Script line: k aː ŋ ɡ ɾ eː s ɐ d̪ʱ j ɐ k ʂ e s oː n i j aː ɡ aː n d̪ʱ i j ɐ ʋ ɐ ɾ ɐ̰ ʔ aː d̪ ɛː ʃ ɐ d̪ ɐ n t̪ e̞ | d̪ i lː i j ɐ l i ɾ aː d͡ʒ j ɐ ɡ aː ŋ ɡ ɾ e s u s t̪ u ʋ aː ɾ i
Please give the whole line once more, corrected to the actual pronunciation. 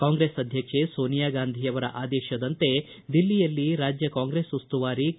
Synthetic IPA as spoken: k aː ŋ ɡ ɾ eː s ɐ d̪ʱ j ɐ k ʂ e s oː n i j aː ɡ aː n d̪ʱ i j ɐ ʋ ɐ ɾ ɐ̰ ʔ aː d̪ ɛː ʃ ɐ d̪ ɐ n t̪ e̞ | d̪ i lː i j ɐ lː i ɾ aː d͡ʒ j ɐ k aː ŋ ɡ ɾ e s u s t̪ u ʋ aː ɾ i